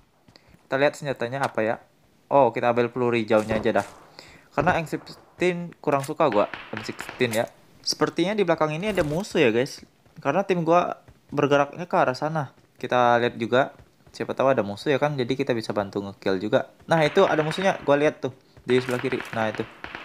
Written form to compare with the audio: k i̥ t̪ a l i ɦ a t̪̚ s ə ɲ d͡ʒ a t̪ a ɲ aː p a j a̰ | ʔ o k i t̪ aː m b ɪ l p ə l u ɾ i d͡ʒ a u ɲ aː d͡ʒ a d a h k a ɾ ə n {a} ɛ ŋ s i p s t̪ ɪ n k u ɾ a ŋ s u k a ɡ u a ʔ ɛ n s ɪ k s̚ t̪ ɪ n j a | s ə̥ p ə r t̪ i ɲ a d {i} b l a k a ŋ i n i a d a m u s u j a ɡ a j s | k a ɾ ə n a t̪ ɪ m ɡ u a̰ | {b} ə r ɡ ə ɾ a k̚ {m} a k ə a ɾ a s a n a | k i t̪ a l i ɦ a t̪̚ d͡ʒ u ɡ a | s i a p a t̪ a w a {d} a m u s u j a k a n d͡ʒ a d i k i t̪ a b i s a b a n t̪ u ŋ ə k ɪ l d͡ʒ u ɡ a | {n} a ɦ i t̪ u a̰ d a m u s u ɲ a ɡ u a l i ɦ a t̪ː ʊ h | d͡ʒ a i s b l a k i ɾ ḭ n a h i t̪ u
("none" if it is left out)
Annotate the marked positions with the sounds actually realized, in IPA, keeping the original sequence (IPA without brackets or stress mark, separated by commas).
a, i, b, ɲ, d, n